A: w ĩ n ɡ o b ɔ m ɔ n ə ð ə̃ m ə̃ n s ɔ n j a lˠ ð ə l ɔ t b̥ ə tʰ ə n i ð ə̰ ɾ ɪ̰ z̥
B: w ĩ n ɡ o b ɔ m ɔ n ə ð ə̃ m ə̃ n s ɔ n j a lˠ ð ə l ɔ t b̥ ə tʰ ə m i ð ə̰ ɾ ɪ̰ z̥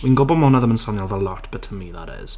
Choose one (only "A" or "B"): B